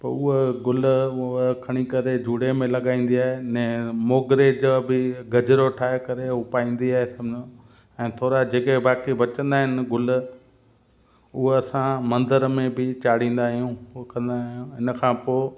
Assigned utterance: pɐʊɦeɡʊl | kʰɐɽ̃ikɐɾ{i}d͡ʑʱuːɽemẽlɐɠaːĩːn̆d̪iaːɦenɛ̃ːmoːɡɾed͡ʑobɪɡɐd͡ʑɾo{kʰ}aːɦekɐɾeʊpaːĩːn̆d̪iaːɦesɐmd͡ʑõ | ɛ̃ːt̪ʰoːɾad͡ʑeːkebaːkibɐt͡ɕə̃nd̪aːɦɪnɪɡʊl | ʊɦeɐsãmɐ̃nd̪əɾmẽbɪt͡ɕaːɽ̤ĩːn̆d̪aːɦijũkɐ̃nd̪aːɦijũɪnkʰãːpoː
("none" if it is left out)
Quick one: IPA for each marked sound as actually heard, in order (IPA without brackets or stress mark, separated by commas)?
e, ʈʰ